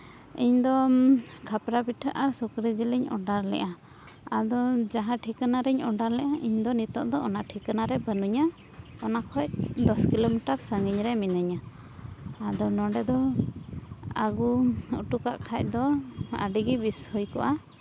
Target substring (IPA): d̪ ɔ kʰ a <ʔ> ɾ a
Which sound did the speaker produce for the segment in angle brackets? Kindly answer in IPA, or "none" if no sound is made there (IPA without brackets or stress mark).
p